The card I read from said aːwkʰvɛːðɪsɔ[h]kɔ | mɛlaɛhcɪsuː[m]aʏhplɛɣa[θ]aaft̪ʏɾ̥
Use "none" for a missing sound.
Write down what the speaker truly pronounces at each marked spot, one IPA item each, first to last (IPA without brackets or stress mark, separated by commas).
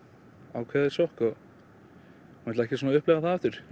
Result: h, n, θ